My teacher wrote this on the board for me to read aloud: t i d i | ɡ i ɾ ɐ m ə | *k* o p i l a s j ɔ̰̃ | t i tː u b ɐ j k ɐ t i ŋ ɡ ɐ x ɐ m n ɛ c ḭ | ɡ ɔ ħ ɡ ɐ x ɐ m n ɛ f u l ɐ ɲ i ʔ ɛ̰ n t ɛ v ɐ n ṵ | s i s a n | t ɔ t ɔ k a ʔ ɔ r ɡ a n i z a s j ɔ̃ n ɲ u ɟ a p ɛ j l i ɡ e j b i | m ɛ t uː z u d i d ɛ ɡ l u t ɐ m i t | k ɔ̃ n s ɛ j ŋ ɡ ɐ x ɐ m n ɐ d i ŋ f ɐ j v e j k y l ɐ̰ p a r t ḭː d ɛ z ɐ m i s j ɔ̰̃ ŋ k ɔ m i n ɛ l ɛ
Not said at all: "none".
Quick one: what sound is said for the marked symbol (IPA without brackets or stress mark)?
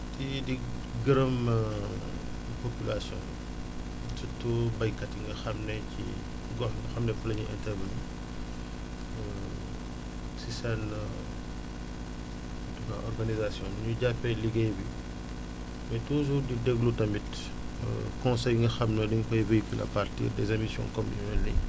p